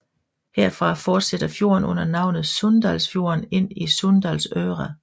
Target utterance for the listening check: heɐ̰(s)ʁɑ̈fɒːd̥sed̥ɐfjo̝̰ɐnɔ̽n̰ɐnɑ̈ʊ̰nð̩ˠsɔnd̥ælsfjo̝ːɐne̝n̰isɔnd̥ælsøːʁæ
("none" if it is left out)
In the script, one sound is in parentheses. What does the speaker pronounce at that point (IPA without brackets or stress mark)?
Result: f